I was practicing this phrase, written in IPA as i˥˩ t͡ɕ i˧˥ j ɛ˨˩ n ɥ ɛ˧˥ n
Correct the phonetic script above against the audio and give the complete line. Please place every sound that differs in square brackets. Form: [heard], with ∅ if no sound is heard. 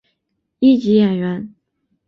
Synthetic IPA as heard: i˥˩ t͡ɕ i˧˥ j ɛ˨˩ n ɥ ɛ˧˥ n